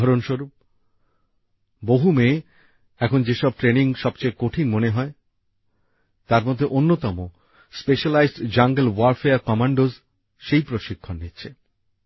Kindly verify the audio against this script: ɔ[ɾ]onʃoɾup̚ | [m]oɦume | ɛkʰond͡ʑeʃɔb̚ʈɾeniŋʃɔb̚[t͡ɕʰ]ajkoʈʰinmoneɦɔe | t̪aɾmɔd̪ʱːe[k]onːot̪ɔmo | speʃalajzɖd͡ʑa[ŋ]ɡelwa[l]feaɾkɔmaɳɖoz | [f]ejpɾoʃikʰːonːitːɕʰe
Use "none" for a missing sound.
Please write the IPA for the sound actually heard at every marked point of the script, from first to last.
ɾ, b, t͡ɕ, ʔ, ŋ, ɾ, ʃ

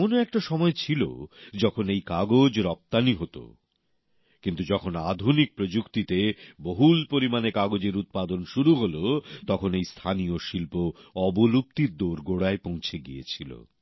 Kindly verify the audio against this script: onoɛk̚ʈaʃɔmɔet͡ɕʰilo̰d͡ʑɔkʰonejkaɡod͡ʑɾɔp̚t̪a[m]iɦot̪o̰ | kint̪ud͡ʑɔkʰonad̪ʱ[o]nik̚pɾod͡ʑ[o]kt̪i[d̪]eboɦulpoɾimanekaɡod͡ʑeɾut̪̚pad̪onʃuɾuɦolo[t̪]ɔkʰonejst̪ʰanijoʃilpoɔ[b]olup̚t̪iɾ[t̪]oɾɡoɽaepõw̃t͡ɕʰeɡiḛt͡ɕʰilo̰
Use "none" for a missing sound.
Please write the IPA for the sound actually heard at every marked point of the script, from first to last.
n, u, u, t̪, t̪, b, d̪

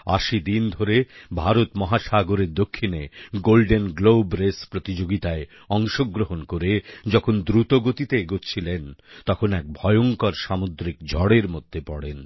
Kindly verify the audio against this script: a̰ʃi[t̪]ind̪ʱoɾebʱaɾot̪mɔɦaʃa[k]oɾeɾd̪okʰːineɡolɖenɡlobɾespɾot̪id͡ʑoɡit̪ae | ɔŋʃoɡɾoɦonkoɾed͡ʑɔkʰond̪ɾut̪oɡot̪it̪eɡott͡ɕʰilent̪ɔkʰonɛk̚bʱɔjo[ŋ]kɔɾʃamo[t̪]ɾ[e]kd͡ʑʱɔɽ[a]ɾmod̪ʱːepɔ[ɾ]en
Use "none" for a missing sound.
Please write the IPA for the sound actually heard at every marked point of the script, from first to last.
d̪, ɡ, ŋ, d̪, i, e, ɽ

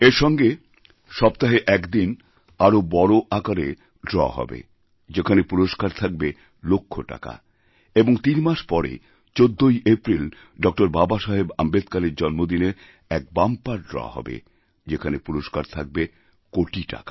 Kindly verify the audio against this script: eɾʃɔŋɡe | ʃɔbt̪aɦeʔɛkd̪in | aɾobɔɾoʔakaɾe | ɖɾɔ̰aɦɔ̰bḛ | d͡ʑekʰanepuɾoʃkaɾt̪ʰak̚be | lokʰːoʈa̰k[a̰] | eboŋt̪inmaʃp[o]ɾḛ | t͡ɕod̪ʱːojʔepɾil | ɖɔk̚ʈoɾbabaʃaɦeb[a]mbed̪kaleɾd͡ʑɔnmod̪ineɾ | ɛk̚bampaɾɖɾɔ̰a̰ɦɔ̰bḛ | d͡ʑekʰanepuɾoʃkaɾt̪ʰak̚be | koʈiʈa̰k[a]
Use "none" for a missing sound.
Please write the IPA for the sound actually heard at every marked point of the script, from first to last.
a̰, ɔ, a, a

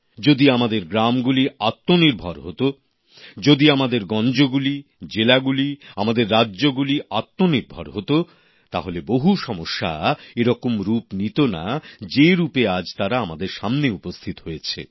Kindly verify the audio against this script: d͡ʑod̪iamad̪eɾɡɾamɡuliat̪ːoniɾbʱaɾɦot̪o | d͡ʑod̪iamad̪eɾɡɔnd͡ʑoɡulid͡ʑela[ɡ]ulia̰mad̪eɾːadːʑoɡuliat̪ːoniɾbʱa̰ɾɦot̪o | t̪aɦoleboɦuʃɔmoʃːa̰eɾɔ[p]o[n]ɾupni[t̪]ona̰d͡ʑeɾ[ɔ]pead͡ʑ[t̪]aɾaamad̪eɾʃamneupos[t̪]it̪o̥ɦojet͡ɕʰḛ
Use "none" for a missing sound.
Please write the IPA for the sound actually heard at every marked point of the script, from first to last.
ɡ, k, m, t̪, u, t̪, t̪ʰ

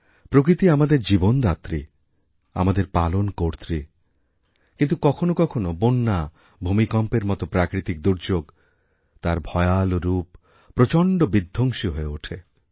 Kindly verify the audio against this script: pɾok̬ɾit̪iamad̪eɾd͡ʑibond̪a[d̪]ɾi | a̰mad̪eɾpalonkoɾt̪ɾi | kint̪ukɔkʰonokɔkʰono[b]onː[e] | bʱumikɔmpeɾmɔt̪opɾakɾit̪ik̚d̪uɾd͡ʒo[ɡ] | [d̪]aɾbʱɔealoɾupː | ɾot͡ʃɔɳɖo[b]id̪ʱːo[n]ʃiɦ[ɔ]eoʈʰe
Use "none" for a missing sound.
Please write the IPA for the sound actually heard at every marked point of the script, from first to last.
t̪, b, a, ɡ, t̪, b, ŋ, o

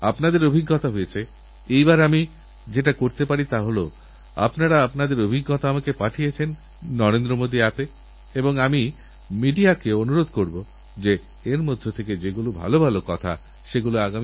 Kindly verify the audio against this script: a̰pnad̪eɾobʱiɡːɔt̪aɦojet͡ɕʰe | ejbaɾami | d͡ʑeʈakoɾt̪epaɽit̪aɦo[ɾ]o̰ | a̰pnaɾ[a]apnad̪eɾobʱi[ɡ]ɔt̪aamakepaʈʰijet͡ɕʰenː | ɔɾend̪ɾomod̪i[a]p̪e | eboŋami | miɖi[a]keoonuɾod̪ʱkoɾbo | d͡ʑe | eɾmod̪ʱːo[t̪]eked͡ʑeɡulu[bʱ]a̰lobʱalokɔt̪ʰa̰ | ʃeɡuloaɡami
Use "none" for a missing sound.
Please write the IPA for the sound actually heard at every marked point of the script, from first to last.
l, a, ɡː, a, a, t̪ʰ, bʱ

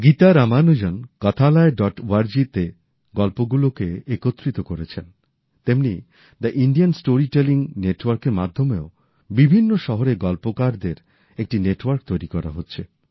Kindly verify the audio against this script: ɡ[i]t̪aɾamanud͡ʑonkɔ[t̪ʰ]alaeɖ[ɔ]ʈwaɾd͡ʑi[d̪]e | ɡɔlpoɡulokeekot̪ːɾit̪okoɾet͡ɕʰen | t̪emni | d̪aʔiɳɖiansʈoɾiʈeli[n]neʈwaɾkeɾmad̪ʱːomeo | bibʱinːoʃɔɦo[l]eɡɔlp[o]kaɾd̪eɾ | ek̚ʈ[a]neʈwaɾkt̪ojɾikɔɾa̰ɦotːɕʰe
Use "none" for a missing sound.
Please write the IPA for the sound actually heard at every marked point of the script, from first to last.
i, t̪ʰ, ɔ, t̪, ŋ, ɾ, o, i

